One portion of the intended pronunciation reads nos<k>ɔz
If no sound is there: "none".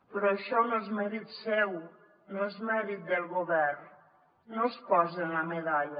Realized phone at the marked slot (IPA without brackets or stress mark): p